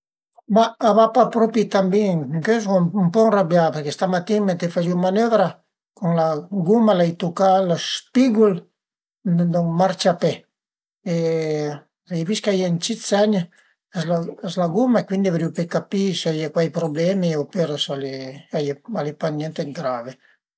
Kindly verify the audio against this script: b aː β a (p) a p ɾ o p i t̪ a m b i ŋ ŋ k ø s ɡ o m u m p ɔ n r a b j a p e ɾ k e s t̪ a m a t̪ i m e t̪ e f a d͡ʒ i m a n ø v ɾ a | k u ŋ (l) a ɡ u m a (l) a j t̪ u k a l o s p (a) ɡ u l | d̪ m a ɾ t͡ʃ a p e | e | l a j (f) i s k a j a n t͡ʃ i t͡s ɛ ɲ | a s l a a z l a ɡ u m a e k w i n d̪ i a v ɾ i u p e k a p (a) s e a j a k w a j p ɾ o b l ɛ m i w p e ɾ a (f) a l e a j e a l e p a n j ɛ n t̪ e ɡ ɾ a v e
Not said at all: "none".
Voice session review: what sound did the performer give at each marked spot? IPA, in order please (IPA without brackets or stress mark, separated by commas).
p, l, l, i, v, i, s